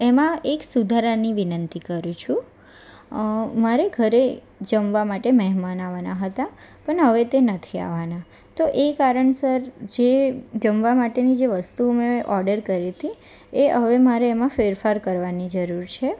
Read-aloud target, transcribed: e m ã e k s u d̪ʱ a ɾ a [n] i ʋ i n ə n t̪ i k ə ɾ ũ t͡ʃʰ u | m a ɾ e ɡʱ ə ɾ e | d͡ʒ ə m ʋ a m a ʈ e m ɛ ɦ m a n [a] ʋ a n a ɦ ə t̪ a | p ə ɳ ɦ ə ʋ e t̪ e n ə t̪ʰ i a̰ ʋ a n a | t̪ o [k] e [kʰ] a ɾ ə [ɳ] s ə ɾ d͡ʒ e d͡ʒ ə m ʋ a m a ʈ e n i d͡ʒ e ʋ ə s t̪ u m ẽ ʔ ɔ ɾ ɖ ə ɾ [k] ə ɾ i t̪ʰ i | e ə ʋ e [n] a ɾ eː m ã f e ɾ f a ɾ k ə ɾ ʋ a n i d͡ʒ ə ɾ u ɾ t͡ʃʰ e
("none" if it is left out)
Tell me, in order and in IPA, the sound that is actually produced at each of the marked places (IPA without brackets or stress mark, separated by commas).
n, a, ʔ, k, ɳ, k, m